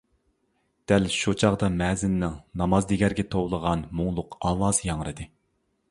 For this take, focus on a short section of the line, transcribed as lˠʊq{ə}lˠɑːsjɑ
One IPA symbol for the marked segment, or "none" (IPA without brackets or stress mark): ɑ